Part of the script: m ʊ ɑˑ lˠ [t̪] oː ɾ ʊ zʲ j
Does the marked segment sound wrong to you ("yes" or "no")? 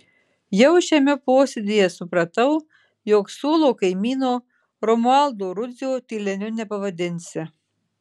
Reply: yes